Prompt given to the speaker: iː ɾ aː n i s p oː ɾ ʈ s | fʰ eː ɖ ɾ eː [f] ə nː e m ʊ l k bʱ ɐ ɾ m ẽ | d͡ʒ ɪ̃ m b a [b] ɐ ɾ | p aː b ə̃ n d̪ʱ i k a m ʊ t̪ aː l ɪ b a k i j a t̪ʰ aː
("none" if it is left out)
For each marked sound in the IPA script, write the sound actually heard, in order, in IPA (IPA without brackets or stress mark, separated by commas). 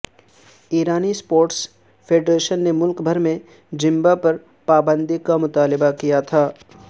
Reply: ʃ, p